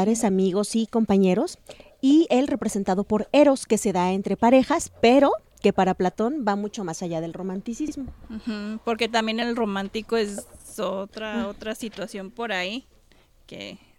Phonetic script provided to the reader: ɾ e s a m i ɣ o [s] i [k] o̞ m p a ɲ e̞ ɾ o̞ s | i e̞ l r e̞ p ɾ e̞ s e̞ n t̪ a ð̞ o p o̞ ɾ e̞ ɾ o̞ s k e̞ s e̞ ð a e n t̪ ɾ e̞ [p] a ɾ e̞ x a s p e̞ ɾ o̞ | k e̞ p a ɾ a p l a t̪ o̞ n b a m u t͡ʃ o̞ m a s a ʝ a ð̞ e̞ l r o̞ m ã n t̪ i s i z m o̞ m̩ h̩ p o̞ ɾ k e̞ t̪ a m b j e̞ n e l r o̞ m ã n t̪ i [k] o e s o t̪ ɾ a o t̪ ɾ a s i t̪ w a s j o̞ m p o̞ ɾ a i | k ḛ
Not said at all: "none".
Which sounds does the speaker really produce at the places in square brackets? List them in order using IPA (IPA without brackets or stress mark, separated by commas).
s, k, p, k